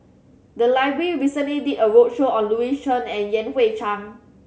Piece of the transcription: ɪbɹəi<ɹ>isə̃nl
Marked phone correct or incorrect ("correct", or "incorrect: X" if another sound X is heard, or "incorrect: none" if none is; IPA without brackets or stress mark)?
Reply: correct